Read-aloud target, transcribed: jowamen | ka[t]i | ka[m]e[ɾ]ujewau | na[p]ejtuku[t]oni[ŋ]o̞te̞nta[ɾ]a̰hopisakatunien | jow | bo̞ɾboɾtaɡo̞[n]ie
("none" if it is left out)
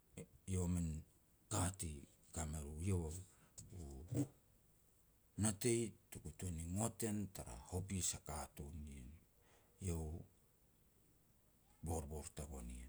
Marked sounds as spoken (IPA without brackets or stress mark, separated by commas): t, m, ɾ, t, t, ŋ, ɾ, n